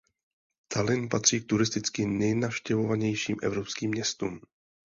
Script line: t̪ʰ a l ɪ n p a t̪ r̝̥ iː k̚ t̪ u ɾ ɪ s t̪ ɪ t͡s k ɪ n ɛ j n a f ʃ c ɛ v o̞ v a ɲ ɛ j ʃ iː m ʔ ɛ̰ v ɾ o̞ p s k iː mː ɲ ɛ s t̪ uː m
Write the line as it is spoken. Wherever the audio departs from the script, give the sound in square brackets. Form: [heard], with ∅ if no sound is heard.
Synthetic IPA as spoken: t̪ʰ a l ɪ n p a t̪ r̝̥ iː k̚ t̪ u ɾ ɪ s t̪ ɪ t͡s k ɪ n ɛ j n a f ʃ c ɛ v o̞ v a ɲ ɛ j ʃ iː m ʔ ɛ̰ v ɾ o̞ p s k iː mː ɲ ɛ s t̪ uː m

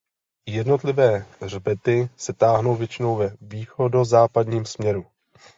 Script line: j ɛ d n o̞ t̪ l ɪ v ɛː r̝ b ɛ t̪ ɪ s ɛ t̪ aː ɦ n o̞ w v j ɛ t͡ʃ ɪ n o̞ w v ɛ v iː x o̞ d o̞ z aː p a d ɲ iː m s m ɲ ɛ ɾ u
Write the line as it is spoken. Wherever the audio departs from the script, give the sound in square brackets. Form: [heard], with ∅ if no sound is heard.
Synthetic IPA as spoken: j ɛ d n o̞ t̪ l ɪ v ɛː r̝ b ɛ t̪ ɪ s ɛ t̪ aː ɦ n o̞ w v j ɛ t͡ʃ ɪ n o̞ w v ɛ v iː x o̞ d o̞ z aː p a d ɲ iː m s m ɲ ɛ ɾ u

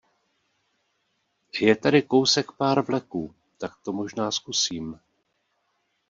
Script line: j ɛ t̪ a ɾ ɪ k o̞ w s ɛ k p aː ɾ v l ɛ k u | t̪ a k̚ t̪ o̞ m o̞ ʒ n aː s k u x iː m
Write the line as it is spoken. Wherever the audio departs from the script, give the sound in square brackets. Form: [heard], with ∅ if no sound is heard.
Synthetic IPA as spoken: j ɛ t̪ a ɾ ɪ k o̞ w s ɛ k p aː ɾ v l ɛ k [uː] | t̪ a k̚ t̪ o̞ m o̞ ʒ n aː s k u [s] iː m

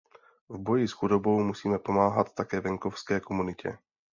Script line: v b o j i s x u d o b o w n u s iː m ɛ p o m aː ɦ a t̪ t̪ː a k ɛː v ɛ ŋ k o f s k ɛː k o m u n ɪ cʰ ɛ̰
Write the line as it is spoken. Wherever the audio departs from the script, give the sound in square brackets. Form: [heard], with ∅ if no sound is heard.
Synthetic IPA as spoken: v b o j i s x u d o b o w [m] u s iː m ɛ p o m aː ɦ a t̪ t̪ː a k ɛː v ɛ ŋ k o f s k ɛː k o m u n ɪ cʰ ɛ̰

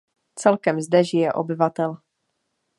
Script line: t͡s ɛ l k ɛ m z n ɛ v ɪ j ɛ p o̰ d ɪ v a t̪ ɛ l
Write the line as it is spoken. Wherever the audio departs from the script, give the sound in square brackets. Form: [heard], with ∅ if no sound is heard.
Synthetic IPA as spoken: t͡s ɛ l k ɛ m z [d] ɛ [ʒ] ɪ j ɛ [ʔ] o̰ [b] ɪ v a t̪ ɛ l

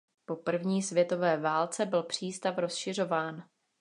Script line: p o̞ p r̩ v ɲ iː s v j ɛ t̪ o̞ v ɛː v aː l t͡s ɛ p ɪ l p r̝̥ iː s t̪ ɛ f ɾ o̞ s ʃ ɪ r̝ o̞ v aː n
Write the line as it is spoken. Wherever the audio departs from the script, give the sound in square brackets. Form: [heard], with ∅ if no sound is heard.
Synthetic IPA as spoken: p o̞ p r̩ v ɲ iː s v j ɛ t̪ o̞ v ɛː v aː l t͡s ɛ [b] ɪ l p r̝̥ iː s t̪ [a] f ɾ o̞ s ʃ ɪ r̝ o̞ v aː n

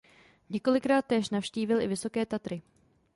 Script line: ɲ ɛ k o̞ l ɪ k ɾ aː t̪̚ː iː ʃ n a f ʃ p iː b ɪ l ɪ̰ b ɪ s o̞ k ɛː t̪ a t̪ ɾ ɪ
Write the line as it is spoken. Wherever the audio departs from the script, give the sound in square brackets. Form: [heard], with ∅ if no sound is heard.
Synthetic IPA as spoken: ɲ ɛ k o̞ l ɪ k ɾ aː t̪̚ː [ɛː] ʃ n a f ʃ [c] iː [v] ɪ l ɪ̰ [v] ɪ s o̞ k ɛː t̪ a t̪ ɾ ɪ

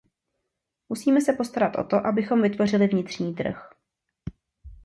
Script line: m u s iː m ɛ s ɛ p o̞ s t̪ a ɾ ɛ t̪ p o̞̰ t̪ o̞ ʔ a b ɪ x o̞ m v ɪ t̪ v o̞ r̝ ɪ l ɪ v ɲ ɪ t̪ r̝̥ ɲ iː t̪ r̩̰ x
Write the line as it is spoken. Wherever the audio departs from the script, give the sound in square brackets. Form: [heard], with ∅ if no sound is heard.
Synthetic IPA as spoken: m u s iː m ɛ s ɛ p o̞ s t̪ a ɾ [a] t̪ [ʔ] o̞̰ t̪ o̞ ʔ a b ɪ x o̞ m v ɪ t̪ v o̞ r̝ ɪ l ɪ v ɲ ɪ t̪ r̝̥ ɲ iː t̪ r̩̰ x

